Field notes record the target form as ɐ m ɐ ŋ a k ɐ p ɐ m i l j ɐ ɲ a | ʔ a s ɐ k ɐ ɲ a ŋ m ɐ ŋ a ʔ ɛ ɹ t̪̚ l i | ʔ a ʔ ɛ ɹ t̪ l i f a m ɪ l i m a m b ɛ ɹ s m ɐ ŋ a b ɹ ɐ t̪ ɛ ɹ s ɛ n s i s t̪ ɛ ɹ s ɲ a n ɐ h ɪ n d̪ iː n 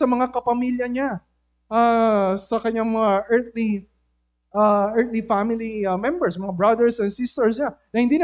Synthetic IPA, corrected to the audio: ɐ m ɐ ŋ a k ɐ p ɐ m i l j ɐ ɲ a | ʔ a s ɐ k ɐ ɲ a ŋ m ɐ ŋ a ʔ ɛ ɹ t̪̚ l i | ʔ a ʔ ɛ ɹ t̪ l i f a m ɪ l i m ɛ m b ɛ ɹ s m ɐ ŋ a b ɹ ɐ d̪ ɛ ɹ s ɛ n s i s t̪ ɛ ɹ s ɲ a n ɐ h ɪ n d̪ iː n